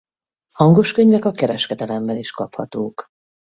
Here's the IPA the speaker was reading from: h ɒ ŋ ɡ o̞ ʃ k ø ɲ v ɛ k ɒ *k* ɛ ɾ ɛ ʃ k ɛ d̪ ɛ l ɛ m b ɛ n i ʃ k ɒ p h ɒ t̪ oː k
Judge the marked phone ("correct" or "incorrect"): correct